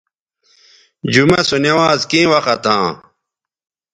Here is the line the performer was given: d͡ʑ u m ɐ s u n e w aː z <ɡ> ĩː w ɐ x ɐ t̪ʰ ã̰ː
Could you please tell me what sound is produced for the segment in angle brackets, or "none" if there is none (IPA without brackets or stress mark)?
k